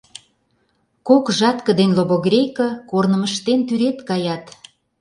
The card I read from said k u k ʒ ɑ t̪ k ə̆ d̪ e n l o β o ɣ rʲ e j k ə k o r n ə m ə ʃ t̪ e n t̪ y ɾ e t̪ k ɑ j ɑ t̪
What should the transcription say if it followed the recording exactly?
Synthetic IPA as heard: k o k ʒ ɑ t̪ k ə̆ d̪ e n l o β o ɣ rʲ e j k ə k o r n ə m ə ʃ t̪ e n t̪ y ɾ e t̪ k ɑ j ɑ t̪